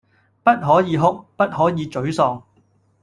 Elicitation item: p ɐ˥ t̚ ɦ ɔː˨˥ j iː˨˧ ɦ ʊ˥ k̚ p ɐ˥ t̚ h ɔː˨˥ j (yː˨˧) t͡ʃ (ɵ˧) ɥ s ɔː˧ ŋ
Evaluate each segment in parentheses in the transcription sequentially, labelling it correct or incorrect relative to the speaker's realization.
incorrect: iː˨˧, incorrect: ɵ˨˥

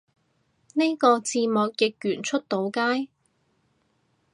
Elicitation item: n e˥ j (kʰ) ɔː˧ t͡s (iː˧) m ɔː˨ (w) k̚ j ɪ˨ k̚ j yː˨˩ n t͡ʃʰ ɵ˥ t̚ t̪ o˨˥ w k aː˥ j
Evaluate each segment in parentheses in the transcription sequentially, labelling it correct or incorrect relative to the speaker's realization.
incorrect: k, correct, incorrect: none

